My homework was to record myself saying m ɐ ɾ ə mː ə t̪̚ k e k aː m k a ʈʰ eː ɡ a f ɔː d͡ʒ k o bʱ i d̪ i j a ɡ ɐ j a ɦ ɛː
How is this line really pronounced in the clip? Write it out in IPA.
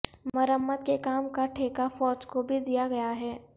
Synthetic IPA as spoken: m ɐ ɾ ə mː ə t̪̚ k e k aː m k a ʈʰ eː k a f ɔː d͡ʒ k o bʱ i d̪ i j a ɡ ɐ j a ɦ ɛː